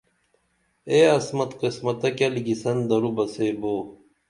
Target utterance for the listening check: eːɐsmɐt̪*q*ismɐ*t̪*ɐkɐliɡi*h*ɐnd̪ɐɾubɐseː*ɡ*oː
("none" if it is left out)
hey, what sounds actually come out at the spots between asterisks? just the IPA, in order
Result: q, t̪, s, b

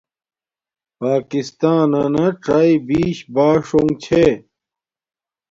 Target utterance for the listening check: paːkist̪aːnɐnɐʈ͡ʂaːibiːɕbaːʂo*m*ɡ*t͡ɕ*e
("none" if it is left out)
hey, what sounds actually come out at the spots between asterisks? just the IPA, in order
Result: ŋ, t͡ɕʰ

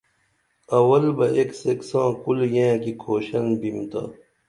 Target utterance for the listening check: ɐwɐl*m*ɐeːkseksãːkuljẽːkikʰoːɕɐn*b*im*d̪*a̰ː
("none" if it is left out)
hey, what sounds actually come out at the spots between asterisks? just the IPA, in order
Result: b, b, t̪

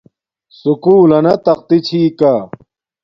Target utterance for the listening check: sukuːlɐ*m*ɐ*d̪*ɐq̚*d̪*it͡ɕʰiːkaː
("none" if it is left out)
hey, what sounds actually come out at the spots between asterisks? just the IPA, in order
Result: n, t̪, t̪

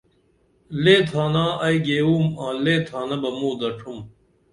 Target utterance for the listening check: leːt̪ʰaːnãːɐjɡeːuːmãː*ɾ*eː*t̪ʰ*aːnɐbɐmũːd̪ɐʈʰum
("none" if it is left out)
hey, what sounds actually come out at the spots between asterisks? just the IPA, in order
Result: l, t̪ʰ

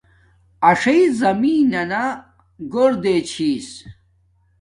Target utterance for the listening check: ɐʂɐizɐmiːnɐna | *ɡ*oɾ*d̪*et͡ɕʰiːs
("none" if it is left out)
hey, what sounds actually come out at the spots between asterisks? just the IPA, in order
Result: ɡ, d̪

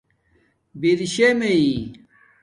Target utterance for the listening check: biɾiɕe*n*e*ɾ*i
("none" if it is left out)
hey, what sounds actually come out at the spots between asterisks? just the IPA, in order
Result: m, none

